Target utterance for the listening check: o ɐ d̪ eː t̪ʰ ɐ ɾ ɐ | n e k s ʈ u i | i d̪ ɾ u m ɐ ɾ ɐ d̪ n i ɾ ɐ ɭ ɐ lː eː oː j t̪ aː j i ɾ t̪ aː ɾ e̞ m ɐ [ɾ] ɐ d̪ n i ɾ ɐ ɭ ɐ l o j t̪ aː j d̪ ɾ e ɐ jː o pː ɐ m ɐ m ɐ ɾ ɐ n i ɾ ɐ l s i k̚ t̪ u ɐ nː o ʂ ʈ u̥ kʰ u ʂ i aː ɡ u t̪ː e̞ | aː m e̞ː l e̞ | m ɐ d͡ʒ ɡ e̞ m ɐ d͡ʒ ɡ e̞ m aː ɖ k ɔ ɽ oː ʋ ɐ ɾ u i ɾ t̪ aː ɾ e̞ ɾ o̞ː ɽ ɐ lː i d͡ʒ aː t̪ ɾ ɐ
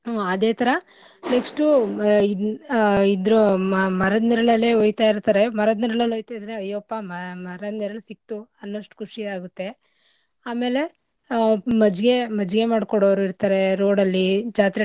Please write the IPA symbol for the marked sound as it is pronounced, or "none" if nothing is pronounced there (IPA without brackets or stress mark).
ɾ